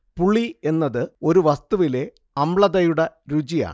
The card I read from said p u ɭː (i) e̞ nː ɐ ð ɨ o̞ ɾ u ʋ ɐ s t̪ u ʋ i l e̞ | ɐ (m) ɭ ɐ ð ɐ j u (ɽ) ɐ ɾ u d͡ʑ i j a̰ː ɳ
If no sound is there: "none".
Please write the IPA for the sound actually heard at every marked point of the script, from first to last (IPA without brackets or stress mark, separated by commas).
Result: i, m, ɽ